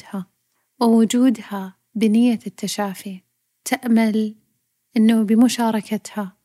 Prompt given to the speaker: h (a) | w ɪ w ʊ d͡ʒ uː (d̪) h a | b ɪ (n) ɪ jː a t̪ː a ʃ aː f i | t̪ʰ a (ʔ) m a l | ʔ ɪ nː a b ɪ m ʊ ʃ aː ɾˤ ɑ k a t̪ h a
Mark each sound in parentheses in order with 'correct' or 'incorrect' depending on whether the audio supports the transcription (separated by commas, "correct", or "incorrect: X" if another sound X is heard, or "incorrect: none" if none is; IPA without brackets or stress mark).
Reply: correct, correct, correct, correct